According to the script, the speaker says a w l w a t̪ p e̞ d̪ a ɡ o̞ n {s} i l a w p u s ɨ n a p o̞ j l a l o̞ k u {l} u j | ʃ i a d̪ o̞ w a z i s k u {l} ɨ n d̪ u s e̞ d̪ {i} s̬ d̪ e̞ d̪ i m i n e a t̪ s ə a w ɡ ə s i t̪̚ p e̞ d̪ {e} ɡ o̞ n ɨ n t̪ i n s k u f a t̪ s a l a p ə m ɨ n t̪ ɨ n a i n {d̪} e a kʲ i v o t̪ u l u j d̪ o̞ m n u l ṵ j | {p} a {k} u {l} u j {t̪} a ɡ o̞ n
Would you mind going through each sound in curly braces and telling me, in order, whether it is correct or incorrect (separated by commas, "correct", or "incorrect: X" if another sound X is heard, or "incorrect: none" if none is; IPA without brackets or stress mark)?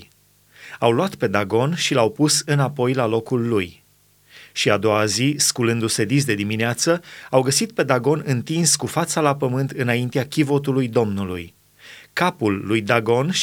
incorrect: ʃ, incorrect: lː, correct, correct, incorrect: a, incorrect: t̪, incorrect: k, incorrect: p, incorrect: lː, incorrect: d̪